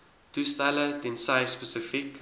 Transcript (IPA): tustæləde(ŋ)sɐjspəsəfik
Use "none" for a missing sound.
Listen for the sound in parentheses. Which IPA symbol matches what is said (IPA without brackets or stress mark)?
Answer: n